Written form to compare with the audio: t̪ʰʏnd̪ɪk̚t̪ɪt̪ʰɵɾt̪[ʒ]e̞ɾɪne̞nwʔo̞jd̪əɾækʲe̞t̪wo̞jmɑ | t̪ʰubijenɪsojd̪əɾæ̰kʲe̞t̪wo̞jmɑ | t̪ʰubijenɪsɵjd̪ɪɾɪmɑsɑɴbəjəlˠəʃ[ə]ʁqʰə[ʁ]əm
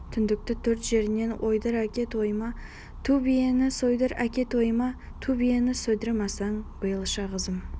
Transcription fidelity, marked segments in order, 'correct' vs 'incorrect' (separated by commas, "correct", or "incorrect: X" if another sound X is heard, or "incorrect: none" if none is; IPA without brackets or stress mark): correct, incorrect: ɑ, incorrect: z